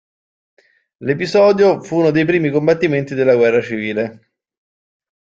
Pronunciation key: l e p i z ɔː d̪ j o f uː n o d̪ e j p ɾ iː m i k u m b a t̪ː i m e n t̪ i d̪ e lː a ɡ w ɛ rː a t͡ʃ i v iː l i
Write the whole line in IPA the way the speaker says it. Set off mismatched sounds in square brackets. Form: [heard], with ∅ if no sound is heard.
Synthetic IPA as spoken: l e p i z ɔː d̪ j o f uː n o d̪ e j p ɾ iː m i k [o] m b a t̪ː i m e n t̪ i d̪ e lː a ɡ w ɛ rː a t͡ʃ i v iː l [e]